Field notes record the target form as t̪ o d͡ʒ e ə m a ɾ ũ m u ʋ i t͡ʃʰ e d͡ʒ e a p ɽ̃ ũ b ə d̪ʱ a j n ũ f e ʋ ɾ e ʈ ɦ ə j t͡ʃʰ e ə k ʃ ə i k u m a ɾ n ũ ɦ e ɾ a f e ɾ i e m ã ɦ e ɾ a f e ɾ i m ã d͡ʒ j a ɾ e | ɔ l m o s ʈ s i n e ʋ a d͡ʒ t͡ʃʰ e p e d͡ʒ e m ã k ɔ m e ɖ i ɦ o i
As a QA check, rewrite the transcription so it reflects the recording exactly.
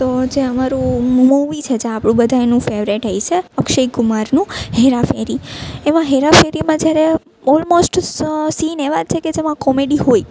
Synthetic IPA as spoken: t̪ o d͡ʒ e ə m a ɾ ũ m u ʋ i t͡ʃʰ e d͡ʒ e a p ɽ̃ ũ b ə d̪ʱ a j n ũ f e ʋ ɾ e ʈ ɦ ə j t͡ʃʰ e ə k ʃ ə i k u m a ɾ n ũ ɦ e ɾ a f e ɾ i e m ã ɦ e ɾ a f e ɾ i m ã d͡ʒ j a ɾ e | ɔ l m o s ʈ s i n e ʋ a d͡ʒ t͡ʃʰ e k e d͡ʒ e m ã k ɔ m e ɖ i ɦ o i